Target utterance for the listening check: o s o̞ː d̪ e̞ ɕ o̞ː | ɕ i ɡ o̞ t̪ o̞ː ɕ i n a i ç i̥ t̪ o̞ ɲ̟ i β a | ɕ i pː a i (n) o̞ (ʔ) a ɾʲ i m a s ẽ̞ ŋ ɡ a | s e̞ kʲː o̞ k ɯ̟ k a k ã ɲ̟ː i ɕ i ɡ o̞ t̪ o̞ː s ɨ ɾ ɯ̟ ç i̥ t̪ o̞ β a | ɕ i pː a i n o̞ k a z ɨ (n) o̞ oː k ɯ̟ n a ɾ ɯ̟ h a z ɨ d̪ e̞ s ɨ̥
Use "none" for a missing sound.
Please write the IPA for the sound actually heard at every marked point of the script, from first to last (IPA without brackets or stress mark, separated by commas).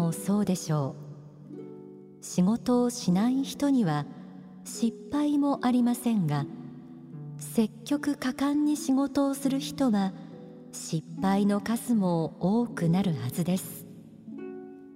m, ʔ, m